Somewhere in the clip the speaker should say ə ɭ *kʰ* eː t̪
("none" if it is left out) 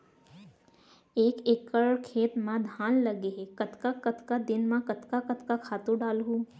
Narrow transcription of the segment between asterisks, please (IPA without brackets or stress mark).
kʰ